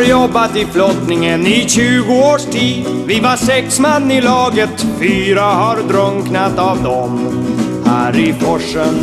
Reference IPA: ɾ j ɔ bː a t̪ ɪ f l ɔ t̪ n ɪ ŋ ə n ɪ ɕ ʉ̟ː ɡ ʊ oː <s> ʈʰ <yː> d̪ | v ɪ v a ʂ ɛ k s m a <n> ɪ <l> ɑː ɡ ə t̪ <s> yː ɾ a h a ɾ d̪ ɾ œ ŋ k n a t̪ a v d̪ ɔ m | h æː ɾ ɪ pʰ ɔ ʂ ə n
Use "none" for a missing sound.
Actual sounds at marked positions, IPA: ʂ, iː, nː, l, f

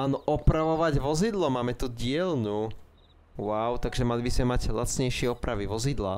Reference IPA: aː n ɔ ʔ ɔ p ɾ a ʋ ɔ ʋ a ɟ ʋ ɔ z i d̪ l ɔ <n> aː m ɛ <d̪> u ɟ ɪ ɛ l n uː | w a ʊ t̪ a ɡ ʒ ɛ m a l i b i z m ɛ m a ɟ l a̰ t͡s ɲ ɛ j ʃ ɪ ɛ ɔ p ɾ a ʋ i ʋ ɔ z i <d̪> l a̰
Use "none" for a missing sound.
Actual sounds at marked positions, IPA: m, t̪, d̪

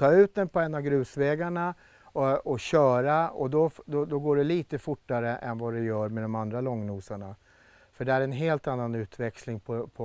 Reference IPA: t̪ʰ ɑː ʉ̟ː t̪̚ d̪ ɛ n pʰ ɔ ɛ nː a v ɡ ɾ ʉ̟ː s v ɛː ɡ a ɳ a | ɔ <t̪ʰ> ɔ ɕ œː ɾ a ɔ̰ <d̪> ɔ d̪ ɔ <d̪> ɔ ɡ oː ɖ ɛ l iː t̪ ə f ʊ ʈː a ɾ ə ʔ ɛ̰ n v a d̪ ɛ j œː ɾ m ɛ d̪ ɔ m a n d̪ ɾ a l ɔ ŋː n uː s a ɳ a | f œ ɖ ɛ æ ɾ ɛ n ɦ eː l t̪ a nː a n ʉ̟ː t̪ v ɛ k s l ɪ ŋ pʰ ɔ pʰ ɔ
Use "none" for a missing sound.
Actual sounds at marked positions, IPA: none, d̪, d̪

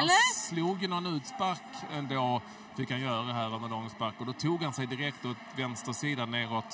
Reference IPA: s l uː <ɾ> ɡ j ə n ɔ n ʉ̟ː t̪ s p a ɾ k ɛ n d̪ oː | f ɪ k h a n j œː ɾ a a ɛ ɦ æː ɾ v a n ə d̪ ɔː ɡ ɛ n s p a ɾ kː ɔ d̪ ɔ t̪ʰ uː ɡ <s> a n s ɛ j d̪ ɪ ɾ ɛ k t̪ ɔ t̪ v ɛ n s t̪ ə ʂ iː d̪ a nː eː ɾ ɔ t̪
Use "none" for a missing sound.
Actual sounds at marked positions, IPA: none, h

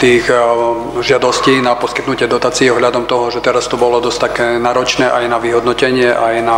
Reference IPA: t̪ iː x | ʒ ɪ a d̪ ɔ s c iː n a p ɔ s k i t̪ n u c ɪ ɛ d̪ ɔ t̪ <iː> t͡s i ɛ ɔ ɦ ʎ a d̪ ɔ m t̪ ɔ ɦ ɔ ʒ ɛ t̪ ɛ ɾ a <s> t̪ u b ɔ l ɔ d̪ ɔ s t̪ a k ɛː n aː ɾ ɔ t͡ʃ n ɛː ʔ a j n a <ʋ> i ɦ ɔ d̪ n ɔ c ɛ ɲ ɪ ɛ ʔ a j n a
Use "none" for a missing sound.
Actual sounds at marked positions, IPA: aː, s, ʋ

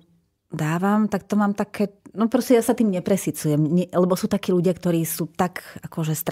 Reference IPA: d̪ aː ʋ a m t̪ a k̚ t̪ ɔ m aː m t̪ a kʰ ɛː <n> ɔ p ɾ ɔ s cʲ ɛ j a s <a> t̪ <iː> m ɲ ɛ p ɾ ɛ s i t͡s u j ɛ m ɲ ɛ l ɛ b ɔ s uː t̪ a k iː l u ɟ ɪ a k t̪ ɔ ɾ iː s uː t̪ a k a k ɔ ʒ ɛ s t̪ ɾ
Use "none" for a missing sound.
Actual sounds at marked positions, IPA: n, a, iː

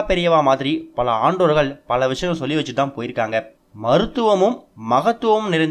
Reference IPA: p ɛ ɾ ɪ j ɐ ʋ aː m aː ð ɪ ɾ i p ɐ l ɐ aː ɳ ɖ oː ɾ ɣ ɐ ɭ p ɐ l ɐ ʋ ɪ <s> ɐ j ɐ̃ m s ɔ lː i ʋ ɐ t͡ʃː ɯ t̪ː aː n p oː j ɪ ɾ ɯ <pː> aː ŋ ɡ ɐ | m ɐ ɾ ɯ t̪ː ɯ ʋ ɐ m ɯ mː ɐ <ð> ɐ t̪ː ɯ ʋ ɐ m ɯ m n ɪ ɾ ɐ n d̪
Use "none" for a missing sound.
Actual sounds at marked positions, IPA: ʂ, kː, ɣ

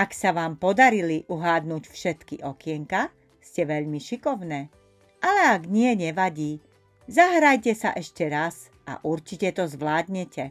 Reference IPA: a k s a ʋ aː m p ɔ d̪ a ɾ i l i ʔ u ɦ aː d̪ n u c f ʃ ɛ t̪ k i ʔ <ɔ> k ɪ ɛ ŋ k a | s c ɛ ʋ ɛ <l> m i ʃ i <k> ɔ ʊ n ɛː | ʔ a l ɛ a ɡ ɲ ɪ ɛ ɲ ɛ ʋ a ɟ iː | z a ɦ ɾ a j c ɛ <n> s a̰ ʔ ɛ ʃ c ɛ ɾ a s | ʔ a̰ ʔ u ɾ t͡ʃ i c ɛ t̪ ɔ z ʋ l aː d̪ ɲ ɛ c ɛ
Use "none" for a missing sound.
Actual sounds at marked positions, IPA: ɔ, ʎ, k, none

